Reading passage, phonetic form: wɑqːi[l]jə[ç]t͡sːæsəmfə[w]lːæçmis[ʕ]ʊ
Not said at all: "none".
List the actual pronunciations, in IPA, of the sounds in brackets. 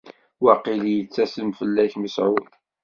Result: l, none, none, ʕ

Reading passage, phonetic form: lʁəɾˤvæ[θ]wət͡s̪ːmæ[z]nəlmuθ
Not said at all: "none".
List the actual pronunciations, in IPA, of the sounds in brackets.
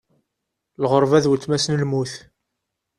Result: ð, s

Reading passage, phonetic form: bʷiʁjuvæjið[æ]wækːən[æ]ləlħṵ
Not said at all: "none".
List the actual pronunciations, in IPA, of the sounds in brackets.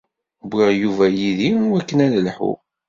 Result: i, æ

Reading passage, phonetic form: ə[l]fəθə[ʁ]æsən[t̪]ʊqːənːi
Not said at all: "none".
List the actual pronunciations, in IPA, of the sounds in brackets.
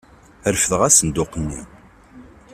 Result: ɾ, ʁ, d̪

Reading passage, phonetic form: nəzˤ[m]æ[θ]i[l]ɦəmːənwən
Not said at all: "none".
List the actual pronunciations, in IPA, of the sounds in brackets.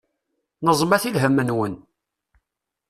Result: m, θ, l

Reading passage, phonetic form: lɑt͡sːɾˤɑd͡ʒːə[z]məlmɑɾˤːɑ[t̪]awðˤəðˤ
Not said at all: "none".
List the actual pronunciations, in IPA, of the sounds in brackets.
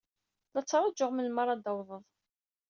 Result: ʁ, d̪

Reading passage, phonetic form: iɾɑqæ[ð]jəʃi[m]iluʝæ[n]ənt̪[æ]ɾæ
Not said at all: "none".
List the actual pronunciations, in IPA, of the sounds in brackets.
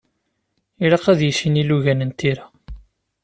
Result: ð, n, n, i

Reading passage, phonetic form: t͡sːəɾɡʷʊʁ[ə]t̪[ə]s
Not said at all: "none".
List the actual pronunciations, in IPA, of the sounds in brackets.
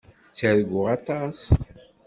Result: ɑ, ɑ

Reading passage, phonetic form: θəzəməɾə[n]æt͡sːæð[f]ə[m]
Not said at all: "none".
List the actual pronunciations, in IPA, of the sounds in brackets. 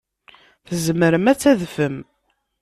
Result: m, f, m

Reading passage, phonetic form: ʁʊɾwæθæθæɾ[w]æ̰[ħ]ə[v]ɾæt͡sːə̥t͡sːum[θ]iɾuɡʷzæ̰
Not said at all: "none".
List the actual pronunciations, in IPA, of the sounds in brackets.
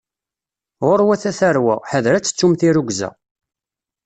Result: w, ħ, ð, θ

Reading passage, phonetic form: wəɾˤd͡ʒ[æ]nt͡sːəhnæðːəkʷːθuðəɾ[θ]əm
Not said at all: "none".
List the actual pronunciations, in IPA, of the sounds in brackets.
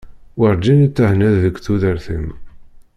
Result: i, θ

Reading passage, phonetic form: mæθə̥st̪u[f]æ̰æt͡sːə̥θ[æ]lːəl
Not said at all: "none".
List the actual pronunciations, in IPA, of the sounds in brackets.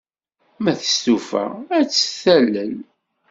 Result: f, æ

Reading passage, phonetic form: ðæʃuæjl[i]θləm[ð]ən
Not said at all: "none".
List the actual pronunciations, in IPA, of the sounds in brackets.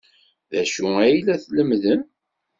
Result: æ, ð

